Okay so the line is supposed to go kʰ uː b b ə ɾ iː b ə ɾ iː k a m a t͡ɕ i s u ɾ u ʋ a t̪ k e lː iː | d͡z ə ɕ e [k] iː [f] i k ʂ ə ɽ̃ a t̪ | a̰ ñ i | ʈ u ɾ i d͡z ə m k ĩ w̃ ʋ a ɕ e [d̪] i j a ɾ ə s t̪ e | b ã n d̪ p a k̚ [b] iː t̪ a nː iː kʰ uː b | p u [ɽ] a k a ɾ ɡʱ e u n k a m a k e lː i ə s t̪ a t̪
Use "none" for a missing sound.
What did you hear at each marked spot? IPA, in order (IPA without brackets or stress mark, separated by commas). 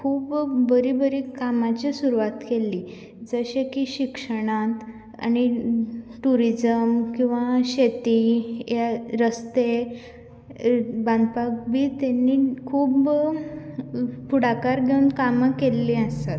k, ɕ, t̪, b, ɽ